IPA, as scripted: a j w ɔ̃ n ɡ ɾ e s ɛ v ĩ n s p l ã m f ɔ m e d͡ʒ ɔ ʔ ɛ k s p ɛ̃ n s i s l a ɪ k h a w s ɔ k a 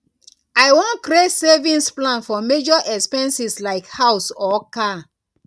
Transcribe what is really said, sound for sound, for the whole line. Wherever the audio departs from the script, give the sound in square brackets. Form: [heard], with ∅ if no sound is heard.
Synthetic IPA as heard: a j w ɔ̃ n [k] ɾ e s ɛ v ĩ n s p l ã [n] f ɔ m e d͡ʒ ɔ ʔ ɛ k s p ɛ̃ n s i s l a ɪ k h a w s ɔ k a

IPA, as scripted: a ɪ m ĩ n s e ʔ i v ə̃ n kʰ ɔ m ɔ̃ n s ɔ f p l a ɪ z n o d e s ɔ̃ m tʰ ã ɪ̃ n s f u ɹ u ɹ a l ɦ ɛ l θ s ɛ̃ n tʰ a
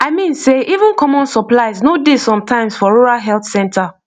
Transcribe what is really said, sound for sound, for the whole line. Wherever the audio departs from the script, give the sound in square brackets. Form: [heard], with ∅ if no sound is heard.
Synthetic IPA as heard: a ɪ m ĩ n s e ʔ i v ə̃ n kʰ ɔ m ɔ̃ n s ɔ [∅] p l a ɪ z n o d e s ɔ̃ m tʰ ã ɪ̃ [m] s f [ɔ] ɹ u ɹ a l ɦ ɛ l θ s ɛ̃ n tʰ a

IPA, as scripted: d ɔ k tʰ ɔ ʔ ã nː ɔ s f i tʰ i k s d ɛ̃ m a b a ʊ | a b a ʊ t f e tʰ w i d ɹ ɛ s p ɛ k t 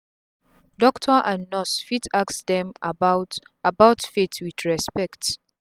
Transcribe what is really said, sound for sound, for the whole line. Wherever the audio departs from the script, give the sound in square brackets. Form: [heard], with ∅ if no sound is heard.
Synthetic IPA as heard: d ɔ k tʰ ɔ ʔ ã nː ɔ s f i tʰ [a] k s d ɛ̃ m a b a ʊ | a b a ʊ t f e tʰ w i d ɹ ɛ s p ɛ k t

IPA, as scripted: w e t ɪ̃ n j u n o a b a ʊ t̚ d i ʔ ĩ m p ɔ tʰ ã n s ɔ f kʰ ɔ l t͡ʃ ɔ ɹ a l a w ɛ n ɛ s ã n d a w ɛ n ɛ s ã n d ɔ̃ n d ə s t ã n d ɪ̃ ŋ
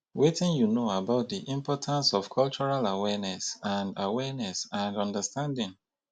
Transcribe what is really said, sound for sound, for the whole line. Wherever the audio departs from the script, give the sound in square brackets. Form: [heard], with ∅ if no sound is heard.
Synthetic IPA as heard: w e t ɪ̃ n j u n o a b a ʊ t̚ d i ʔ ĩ m p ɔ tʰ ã n s ɔ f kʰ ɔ l t͡ʃ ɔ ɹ a l a w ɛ n ɛ s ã n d a w ɛ n ɛ s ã n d ɔ̃ n d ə s t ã n d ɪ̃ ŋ

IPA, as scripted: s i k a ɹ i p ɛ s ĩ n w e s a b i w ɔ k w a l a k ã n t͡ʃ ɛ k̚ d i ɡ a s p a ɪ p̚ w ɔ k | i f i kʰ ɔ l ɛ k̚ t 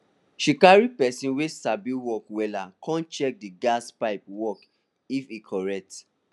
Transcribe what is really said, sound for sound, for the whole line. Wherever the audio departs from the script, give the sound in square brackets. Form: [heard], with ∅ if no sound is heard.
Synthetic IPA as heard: [ʃ] i k a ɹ i p ɛ s ĩ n w e s a b i w ɔ k w [ɛ] l a k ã n t͡ʃ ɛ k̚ d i ɡ a s p a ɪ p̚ w ɔ k | i f i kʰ ɔ [ɹ] ɛ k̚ t

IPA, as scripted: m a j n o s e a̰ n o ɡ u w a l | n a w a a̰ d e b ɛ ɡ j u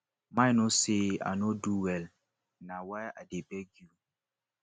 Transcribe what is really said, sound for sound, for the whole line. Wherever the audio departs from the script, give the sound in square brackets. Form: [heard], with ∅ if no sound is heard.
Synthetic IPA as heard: m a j n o s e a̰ n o [d] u w [ɛ] l | n a w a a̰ d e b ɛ ɡ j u

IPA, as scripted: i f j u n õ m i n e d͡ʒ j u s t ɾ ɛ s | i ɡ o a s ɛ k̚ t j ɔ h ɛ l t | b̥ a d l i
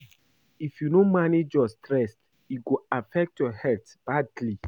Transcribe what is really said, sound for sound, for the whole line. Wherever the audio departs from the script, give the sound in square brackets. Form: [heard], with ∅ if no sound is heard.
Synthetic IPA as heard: i f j u n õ m [a] n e d͡ʒ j [ɔ] s t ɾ ɛ s | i ɡ o a [f] ɛ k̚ t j ɔ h ɛ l t | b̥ a d l i

